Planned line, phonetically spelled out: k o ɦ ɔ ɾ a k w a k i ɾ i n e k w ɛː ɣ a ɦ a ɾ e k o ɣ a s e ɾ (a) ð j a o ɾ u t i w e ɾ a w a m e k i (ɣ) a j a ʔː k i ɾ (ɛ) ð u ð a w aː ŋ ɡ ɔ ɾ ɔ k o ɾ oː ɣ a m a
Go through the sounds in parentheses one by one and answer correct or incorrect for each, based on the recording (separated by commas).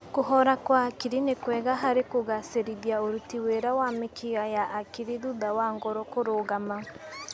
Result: incorrect, correct, incorrect